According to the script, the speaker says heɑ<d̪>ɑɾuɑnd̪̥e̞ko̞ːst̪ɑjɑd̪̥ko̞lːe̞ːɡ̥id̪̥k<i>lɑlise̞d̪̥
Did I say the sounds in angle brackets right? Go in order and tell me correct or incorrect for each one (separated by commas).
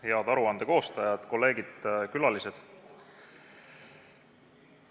correct, incorrect